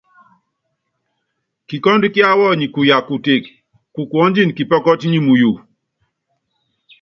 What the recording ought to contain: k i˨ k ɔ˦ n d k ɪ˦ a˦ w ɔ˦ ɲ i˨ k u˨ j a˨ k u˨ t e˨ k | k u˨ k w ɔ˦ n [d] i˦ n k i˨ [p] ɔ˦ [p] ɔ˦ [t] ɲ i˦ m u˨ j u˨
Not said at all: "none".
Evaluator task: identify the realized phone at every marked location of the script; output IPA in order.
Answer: d͡ʒ, p, k, t

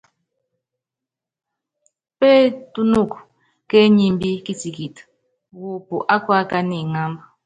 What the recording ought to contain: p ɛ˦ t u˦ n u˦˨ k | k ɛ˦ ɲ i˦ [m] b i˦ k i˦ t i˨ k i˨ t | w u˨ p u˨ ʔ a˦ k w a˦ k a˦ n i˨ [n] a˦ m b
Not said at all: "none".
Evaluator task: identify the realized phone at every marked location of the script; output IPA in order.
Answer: m, ŋ

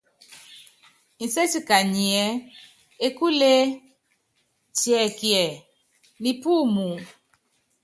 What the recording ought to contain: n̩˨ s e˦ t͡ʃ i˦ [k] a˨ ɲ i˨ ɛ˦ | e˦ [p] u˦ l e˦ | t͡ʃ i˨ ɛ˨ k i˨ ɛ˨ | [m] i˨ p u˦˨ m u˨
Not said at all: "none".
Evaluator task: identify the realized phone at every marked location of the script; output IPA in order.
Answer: k, k, n

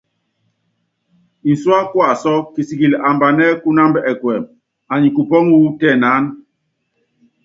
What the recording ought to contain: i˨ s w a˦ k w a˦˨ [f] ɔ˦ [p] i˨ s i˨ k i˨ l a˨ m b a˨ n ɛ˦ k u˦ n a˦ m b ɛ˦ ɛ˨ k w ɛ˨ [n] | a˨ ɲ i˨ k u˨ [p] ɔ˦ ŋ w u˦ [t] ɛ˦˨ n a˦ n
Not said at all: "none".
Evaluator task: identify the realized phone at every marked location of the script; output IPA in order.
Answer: s, k, m, p, t

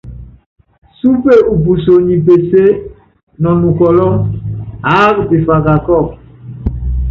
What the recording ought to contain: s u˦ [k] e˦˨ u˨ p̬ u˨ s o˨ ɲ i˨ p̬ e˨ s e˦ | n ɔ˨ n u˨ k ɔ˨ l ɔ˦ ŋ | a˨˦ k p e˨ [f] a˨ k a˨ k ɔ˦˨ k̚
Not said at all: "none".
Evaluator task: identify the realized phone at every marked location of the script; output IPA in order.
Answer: p, f

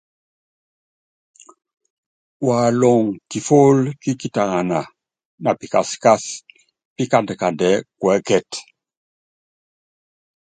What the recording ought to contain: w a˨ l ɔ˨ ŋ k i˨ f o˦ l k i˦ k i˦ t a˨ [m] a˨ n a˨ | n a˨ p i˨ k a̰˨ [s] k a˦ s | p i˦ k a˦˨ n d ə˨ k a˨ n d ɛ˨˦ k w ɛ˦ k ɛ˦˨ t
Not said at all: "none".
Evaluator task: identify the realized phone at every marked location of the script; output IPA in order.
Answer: ŋ, s

